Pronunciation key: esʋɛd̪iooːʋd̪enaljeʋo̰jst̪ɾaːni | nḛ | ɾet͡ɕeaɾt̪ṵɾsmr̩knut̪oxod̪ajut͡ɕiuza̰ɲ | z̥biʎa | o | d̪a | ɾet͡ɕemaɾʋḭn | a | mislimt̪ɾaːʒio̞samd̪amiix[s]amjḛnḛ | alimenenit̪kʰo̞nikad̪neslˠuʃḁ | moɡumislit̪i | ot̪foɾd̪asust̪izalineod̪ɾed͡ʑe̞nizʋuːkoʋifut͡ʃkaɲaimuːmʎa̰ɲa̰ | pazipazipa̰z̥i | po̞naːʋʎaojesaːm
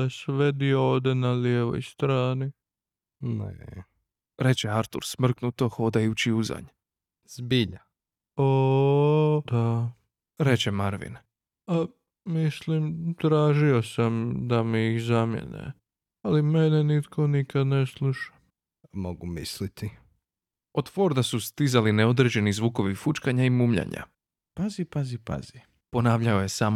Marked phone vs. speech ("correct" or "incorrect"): incorrect